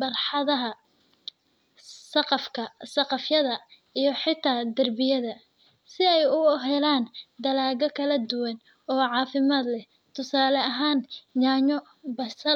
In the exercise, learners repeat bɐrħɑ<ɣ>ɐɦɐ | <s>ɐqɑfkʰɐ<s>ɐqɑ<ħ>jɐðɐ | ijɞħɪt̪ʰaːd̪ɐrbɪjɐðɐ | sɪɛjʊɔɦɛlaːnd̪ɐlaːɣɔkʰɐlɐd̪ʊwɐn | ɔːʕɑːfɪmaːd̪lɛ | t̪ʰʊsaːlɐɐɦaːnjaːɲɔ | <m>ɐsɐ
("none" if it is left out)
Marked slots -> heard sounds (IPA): ð, s, s, f, b

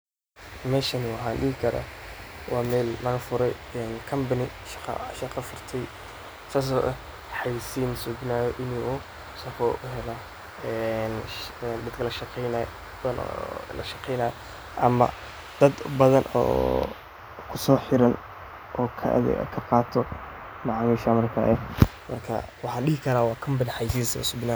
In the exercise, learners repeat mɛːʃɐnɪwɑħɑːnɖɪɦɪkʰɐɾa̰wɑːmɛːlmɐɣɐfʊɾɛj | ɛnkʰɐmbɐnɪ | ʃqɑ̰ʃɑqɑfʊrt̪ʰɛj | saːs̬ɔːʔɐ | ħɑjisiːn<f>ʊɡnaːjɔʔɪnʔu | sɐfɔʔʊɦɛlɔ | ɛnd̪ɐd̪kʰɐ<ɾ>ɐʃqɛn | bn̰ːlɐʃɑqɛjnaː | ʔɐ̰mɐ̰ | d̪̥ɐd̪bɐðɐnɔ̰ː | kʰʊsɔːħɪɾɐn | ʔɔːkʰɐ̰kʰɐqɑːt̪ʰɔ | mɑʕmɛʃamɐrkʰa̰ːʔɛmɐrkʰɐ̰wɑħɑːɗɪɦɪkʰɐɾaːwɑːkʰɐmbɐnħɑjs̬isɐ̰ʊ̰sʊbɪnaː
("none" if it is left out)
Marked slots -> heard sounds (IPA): s, l

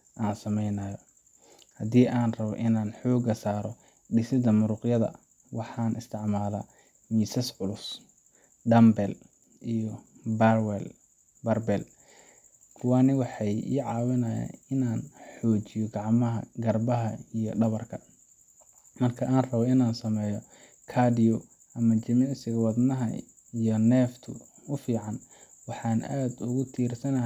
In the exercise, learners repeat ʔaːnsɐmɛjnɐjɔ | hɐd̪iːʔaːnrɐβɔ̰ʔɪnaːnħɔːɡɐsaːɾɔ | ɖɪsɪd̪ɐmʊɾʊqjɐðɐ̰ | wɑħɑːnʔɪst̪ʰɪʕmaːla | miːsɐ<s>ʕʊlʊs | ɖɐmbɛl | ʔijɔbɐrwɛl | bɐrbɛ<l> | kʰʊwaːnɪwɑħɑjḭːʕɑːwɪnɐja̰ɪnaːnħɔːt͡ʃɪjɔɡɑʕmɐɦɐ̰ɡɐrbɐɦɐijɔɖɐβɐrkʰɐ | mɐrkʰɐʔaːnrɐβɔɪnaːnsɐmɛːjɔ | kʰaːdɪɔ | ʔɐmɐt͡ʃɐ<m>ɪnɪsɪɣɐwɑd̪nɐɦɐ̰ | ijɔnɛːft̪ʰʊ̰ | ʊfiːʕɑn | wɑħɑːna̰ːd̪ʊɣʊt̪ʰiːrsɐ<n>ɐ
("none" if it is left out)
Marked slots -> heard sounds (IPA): s, l, m, n

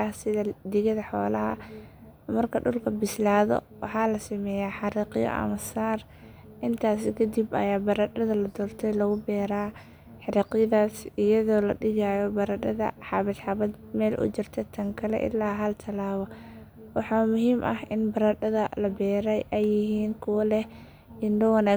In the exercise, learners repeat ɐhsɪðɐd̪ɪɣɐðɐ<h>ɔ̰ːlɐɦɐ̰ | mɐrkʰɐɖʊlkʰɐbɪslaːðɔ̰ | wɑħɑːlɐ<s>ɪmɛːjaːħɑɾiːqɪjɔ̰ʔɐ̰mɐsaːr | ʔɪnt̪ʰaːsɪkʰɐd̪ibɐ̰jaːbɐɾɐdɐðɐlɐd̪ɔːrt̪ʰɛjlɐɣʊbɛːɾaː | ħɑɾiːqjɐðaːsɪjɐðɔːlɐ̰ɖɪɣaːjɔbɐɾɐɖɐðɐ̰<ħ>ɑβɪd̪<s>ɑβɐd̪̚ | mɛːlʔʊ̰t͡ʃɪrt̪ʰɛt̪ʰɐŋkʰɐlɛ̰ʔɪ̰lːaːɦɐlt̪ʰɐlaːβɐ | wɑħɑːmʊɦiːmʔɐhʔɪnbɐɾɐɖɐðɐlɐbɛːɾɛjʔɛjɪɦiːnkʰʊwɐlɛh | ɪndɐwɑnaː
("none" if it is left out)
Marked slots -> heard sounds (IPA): ħ, s, ħ, ħ

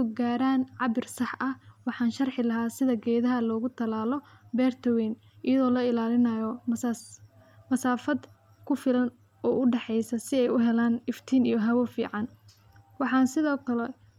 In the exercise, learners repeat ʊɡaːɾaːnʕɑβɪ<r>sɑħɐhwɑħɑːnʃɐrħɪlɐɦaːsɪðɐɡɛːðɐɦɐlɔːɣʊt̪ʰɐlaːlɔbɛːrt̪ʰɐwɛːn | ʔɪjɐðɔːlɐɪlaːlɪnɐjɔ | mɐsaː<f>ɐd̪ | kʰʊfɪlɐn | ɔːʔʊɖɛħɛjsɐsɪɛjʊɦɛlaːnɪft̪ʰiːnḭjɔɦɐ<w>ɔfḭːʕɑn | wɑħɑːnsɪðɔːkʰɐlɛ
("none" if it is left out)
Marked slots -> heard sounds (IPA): r, f, w

